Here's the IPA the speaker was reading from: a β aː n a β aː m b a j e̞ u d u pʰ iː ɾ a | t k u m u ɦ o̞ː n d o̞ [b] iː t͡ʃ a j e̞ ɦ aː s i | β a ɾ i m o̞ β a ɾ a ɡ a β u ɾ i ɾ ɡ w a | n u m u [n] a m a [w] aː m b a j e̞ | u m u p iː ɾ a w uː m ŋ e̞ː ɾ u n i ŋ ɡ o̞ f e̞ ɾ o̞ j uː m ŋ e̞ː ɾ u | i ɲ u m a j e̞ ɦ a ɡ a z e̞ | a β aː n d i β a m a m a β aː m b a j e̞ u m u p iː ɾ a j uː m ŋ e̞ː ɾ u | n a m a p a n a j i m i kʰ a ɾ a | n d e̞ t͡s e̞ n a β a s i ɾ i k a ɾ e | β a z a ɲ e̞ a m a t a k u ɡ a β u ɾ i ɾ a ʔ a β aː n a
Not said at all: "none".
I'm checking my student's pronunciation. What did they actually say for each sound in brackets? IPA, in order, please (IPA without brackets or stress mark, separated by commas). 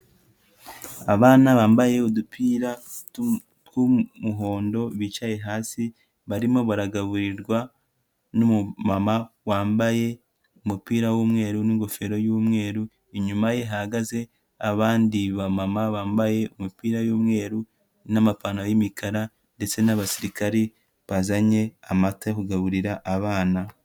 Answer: β, m, w